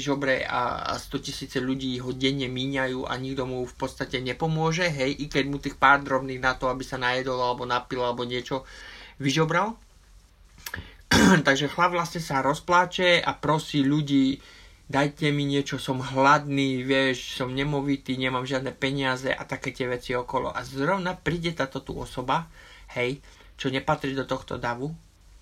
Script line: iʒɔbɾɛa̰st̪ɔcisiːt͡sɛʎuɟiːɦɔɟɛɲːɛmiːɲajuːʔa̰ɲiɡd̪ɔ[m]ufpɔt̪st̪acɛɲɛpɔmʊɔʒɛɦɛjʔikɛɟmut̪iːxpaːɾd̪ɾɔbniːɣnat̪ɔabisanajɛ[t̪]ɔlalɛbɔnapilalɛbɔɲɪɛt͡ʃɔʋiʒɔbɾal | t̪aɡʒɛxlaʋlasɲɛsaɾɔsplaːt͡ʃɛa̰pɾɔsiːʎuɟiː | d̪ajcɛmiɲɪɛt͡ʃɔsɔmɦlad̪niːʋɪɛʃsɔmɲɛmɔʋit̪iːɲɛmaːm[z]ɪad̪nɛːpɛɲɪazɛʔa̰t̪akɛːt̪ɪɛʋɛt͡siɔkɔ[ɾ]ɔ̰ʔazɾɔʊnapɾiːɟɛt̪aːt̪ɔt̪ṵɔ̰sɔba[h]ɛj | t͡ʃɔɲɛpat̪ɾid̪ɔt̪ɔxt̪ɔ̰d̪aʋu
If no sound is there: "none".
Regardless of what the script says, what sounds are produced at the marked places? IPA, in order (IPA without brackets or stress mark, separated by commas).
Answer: m, d̪, ʒ, l, h